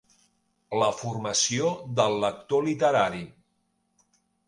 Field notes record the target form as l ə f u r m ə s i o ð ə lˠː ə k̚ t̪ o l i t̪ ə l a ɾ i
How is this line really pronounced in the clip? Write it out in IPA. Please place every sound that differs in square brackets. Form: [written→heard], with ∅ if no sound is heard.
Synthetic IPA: l ə f u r m ə s i o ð ə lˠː ə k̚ t̪ o l i t̪ ə [l→ɾ] a ɾ i